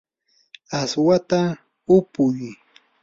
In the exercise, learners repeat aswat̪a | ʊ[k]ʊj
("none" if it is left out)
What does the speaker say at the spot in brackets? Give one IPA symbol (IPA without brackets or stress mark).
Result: p